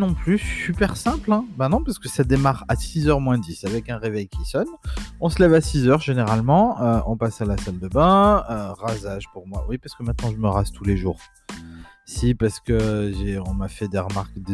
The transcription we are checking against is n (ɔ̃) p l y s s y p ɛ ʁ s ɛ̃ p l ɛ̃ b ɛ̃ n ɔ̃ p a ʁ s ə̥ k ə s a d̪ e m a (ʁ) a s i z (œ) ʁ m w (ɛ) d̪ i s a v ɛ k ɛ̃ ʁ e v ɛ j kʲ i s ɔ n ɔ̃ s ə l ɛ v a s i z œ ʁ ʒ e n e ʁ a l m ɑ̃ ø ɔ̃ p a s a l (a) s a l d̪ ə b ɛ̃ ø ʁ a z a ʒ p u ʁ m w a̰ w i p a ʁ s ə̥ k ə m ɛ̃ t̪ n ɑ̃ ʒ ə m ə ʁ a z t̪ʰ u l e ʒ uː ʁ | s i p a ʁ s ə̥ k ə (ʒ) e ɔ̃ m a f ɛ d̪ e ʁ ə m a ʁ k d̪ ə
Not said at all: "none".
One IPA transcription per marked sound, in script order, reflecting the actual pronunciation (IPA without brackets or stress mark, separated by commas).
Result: ɔ̃, ʁ, œ, ɛ̃, a, ʒ